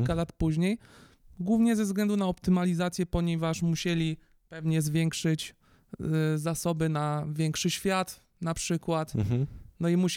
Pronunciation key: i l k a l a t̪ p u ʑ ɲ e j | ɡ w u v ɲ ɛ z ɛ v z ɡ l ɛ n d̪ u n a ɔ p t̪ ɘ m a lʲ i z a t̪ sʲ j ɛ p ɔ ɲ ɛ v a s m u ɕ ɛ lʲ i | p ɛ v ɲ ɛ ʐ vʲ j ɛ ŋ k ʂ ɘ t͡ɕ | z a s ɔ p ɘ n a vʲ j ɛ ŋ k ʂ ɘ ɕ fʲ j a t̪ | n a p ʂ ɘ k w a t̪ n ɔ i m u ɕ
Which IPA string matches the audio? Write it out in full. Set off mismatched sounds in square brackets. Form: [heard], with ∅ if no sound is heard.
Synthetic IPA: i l k a l a t̪ p u ʑ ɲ e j | ɡ w u v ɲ ɛ z ɛ v z ɡ l ɛ n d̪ u n a ɔ p t̪ ɘ m a lʲ i z a t̪ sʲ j ɛ p ɔ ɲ ɛ v a [ʂ] m u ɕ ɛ lʲ i | p ɛ v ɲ ɛ [z] vʲ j ɛ ŋ k ʂ ɘ t͡ɕ | z a s ɔ [b] ɘ n a vʲ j ɛ ŋ k ʂ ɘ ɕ fʲ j a t̪ | n a p ʂ ɘ k w a t̪ n ɔ i m u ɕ